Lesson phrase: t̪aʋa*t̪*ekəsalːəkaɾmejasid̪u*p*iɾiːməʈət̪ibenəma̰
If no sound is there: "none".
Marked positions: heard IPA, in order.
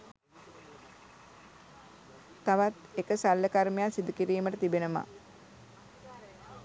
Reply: t̪, k

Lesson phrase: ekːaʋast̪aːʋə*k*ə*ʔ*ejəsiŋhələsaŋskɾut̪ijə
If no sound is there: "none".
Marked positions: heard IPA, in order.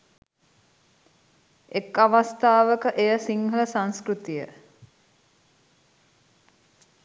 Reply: k, ʔ

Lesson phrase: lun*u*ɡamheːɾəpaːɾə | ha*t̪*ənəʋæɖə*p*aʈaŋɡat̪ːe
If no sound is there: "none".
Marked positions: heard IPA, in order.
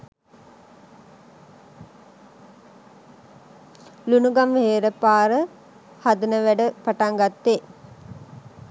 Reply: u, d̪, p

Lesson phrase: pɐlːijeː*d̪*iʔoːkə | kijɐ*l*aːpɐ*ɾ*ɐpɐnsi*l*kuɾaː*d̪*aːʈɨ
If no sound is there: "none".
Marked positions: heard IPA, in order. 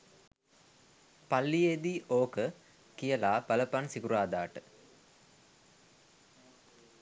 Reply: d̪, l, l, none, d̪

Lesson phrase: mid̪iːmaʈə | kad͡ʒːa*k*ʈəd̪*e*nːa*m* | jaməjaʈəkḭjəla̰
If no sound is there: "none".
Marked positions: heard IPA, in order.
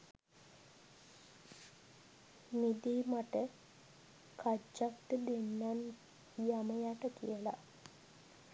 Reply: k, e, n

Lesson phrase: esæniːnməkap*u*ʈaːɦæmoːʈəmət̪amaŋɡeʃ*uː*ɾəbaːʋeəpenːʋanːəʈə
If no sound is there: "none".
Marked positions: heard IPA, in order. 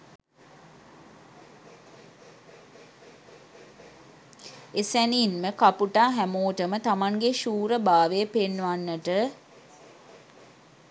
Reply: u, uː

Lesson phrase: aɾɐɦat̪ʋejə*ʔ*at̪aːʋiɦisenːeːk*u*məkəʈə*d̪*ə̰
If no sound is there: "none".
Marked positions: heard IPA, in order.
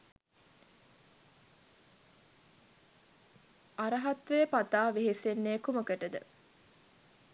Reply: p, u, d̪

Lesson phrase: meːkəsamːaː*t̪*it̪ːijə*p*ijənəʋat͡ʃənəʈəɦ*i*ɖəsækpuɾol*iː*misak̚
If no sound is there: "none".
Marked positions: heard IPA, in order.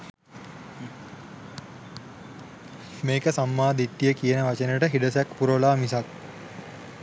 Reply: d̪, k, i, aː

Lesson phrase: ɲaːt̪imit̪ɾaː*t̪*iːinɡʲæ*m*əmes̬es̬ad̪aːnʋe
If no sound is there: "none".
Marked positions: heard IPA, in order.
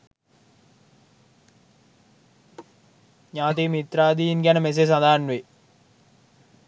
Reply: d̪, n

